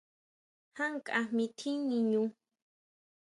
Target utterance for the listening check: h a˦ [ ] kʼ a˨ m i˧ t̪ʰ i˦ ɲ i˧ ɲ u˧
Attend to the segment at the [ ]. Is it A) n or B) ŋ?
B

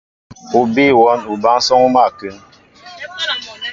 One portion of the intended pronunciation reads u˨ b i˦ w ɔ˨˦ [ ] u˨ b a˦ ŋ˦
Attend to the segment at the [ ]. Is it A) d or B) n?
B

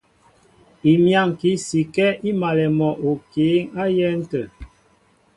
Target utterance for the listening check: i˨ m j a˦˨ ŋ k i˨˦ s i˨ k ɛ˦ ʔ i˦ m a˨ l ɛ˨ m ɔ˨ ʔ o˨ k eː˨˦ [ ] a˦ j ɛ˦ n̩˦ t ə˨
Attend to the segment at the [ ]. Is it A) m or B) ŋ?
B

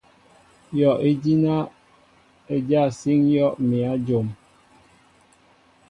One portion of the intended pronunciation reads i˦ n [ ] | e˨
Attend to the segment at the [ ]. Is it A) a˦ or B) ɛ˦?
A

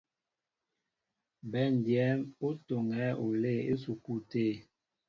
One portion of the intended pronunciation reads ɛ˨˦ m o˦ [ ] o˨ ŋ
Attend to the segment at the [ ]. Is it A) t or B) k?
A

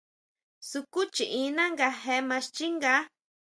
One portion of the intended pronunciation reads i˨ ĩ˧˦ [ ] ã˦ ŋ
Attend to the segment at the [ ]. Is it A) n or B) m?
A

